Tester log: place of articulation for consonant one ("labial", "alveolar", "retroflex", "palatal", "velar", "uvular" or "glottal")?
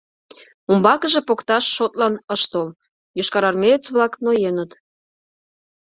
labial